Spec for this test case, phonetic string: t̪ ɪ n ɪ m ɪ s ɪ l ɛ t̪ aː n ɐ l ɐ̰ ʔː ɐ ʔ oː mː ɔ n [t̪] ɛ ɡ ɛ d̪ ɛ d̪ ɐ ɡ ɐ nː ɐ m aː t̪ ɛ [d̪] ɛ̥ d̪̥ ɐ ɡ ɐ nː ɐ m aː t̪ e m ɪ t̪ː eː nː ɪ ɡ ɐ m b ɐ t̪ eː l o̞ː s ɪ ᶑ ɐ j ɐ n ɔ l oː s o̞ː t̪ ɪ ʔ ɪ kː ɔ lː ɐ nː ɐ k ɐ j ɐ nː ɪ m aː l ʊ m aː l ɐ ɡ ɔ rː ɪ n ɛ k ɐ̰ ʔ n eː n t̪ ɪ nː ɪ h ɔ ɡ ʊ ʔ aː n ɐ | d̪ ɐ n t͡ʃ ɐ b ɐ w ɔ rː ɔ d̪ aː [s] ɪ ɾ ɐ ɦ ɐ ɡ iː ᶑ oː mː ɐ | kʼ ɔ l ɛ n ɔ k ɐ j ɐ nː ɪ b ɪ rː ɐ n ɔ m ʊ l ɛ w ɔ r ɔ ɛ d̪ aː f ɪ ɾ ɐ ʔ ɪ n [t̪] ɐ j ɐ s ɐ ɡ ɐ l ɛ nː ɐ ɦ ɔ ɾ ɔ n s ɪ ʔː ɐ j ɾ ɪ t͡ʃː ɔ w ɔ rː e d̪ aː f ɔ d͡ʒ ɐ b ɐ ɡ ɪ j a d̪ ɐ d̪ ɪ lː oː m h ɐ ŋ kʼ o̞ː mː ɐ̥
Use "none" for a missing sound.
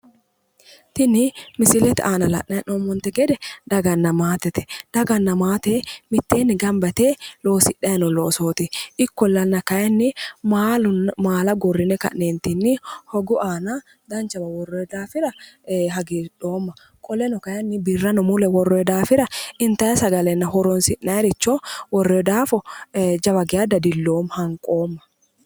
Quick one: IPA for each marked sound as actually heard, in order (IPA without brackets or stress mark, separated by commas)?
t̪, t̪, f, t̪